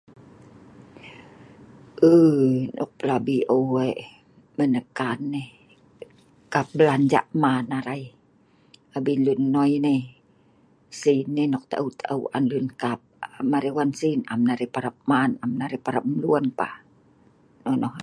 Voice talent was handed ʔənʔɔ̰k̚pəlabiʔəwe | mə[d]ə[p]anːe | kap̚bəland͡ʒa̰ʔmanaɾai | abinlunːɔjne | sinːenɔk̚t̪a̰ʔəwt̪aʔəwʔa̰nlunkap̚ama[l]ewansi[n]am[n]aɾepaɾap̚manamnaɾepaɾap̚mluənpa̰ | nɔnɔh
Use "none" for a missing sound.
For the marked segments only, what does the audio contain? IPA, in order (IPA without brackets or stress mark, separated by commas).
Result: n, k, ɾ, n, n